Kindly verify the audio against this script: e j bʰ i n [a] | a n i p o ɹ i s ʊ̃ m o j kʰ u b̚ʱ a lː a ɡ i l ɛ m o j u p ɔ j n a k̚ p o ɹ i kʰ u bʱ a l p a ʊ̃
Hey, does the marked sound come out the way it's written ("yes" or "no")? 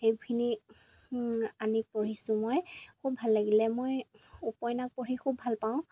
no